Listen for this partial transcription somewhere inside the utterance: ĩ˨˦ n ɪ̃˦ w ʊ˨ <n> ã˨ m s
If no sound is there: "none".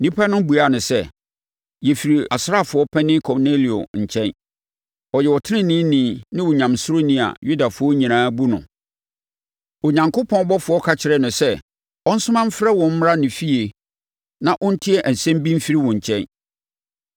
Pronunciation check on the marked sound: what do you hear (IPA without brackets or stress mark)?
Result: ɲ